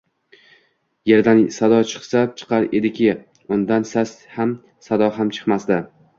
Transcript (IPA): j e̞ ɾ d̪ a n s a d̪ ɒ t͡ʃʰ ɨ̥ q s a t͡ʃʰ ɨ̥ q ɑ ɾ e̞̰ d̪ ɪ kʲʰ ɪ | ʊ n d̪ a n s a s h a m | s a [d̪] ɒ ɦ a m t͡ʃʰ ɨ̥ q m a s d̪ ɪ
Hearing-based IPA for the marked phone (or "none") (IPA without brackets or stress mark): d̪